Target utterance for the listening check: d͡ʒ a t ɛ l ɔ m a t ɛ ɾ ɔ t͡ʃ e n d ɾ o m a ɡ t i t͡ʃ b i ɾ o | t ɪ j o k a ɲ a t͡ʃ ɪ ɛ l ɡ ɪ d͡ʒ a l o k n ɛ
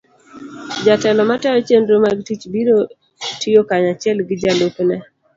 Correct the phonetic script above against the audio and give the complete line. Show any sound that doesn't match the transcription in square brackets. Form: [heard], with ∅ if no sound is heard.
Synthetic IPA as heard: d͡ʒ a t ɛ l ɔ m a t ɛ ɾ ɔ t͡ʃ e n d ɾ o m a ɡ t i t͡ʃ b i ɾ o | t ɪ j o k a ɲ a t͡ʃ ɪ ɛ l ɡ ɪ d͡ʒ a l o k n ɛ